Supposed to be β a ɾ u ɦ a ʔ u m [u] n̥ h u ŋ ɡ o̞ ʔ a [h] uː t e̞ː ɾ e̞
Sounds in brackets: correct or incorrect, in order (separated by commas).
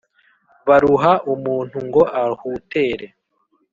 incorrect, correct